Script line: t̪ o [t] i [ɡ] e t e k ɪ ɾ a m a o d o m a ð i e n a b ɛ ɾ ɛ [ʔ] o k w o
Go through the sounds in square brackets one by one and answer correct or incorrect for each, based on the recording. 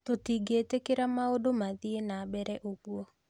correct, correct, correct

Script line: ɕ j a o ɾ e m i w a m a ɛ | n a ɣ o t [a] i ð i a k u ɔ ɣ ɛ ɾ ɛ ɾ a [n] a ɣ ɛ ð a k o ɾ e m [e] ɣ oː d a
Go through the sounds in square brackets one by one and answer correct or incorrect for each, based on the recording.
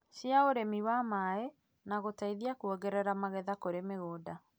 correct, incorrect, correct

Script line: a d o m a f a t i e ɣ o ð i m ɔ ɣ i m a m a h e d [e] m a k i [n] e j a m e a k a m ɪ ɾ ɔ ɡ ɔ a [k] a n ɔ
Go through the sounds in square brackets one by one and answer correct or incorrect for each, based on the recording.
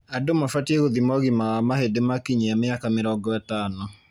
correct, incorrect, incorrect

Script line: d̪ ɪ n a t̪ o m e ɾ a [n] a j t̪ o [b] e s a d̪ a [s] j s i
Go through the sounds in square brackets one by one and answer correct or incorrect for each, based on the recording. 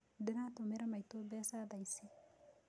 incorrect, correct, incorrect

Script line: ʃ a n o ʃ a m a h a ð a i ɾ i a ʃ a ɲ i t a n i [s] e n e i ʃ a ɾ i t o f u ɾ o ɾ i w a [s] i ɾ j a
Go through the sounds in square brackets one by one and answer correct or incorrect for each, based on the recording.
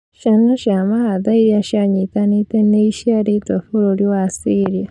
incorrect, correct

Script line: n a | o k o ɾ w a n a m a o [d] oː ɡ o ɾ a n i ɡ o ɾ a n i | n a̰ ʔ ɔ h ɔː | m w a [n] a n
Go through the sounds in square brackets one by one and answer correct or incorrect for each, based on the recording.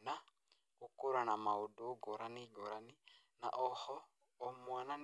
correct, correct

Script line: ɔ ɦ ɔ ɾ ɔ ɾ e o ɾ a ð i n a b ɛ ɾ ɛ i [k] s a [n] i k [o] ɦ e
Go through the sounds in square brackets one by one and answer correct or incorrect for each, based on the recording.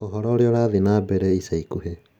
incorrect, incorrect, incorrect

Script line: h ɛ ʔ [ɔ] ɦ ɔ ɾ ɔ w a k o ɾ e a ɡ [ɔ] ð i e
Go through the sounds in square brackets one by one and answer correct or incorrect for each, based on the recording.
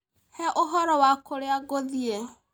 incorrect, incorrect

